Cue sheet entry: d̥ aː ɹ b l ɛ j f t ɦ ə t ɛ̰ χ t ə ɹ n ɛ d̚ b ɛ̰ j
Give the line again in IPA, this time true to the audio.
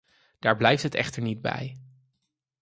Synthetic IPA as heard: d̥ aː ɹ b l ɛ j f t ɦ ə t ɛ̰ χ t ə ɹ n i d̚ b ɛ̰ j